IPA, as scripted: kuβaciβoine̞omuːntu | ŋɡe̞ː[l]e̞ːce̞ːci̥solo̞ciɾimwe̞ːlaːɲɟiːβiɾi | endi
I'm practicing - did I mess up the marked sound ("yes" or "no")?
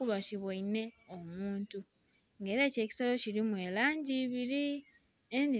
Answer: yes